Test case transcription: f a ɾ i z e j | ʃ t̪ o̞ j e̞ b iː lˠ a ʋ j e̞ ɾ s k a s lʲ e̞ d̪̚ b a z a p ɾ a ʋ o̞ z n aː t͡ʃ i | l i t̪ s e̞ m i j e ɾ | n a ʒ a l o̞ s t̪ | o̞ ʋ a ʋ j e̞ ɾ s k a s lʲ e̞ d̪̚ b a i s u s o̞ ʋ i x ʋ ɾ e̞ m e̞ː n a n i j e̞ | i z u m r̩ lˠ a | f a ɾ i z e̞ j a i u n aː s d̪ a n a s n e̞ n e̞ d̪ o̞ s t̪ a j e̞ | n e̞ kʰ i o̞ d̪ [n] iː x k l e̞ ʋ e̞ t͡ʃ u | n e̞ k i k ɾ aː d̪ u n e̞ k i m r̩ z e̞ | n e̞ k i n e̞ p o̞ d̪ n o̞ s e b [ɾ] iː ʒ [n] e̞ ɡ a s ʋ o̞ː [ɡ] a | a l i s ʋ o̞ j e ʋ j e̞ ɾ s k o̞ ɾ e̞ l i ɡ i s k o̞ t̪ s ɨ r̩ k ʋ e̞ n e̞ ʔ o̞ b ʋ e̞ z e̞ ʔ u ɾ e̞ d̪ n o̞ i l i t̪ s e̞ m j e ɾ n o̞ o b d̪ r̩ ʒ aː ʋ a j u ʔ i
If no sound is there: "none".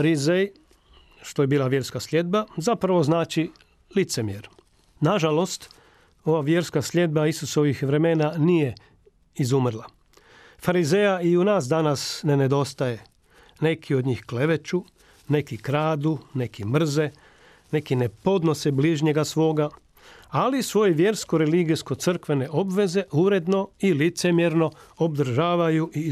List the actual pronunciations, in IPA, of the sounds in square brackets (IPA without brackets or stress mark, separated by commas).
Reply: ɲ, l, ɲ, ɡ